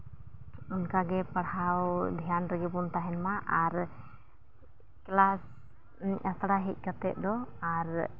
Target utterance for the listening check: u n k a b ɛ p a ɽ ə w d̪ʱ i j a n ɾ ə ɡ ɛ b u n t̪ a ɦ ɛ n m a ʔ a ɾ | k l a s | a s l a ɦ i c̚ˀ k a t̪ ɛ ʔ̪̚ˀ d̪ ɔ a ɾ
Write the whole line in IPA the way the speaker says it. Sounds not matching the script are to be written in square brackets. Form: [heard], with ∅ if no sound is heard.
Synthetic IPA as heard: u n k a [ɡ] ɛ p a ɽ [a] w d̪ʱ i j a n ɾ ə ɡ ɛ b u n t̪ a ɦ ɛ n m a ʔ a ɾ | k l a s | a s [ɽ] a ɦ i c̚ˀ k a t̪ ɛ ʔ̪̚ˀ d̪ ɔ a ɾ